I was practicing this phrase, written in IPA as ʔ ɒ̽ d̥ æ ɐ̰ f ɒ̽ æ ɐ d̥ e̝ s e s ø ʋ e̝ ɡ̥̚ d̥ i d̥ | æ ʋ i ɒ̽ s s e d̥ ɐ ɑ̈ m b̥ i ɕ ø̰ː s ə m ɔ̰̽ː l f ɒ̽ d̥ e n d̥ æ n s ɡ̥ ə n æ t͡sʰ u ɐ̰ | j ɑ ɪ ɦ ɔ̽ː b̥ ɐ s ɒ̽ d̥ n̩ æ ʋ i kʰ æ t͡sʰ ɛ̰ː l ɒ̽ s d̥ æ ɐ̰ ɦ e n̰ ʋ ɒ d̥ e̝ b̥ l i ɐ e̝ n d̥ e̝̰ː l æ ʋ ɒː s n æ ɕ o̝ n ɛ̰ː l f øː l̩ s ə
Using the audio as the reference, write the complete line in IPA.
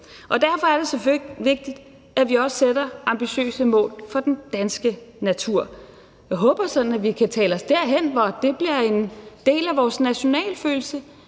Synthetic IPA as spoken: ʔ ɒ̽ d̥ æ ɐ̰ f ɒ̽ æ ɐ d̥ e̝ s e f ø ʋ e̝ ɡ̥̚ d̥ i d̥ | æ ʋ i ɒ̽ s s e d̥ ɐ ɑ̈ m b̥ i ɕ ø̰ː s ə m ɔ̰̽ː l f ɒ̽ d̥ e n d̥ æ n s ɡ̥ ə n æ t͡sʰ u ɐ̰ | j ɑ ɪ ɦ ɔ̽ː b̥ ɐ s ɒ̽ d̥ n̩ æ ʋ i kʰ æ t͡sʰ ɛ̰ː l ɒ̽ s d̥ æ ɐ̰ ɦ e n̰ ʋ ɒ d̥ e̝ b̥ l i ɐ e̝ n d̥ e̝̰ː l æ ʋ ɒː s n æ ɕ o̝ n ɛ̰ː l f øː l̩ s ə